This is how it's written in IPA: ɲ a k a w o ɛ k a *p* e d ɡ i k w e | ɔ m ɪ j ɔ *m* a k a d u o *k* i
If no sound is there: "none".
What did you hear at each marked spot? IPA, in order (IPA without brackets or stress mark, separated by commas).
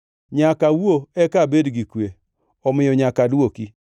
b, ɲ, k